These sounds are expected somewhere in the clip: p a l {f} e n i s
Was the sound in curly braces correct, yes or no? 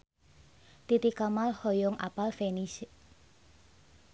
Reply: yes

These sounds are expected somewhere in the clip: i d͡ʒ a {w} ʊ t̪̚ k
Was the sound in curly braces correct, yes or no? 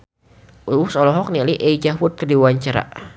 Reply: yes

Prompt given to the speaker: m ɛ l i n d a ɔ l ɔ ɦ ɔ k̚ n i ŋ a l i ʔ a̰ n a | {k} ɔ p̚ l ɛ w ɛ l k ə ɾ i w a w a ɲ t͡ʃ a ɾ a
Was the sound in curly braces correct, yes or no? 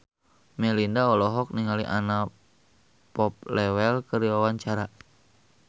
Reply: no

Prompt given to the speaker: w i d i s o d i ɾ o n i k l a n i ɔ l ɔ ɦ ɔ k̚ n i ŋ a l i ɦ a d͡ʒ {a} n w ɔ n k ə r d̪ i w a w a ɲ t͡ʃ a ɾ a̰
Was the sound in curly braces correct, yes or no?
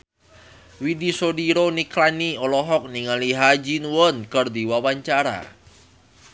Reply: no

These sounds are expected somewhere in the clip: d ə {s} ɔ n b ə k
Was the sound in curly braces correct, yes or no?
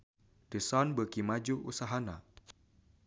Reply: yes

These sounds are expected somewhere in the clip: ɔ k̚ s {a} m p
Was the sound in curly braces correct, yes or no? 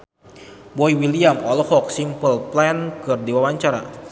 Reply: no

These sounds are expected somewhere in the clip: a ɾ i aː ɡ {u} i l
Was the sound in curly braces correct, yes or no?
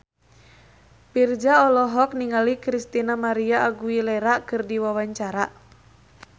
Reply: yes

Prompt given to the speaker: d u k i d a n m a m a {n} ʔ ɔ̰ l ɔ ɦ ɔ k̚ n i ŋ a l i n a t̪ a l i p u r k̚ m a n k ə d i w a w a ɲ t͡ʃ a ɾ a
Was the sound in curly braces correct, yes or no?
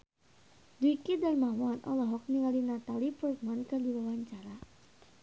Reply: yes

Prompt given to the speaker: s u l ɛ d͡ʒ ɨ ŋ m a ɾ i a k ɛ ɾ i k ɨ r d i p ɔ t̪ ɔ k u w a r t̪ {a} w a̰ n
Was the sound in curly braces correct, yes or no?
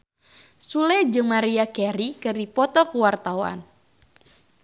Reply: yes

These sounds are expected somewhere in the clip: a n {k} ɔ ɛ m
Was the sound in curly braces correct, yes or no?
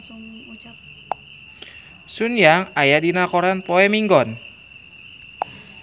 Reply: no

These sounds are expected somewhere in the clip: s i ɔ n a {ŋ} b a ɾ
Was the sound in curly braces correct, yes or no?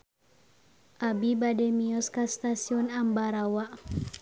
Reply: no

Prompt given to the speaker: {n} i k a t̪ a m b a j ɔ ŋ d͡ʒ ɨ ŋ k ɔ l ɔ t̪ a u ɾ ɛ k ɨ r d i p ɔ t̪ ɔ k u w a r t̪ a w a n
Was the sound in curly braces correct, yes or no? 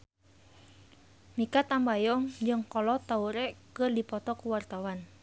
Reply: no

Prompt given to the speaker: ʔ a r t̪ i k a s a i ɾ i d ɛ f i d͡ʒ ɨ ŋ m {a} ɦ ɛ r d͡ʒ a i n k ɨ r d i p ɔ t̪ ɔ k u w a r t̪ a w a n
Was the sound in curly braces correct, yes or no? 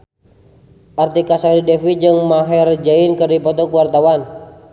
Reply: yes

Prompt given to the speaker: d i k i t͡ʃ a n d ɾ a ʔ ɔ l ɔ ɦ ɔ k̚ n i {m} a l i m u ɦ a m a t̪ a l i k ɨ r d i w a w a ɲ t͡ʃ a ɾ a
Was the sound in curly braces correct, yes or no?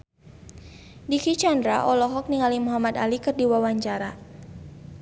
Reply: no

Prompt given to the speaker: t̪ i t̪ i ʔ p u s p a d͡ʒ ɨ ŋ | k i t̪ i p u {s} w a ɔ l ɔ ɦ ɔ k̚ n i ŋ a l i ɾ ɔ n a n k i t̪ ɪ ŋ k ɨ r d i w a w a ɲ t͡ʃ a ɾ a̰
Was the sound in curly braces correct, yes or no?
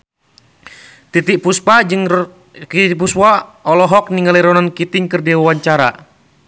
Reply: yes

